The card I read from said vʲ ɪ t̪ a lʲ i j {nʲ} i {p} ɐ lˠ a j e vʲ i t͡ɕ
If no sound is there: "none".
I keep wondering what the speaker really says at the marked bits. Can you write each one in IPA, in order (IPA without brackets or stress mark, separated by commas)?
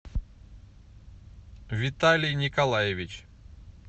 nʲ, k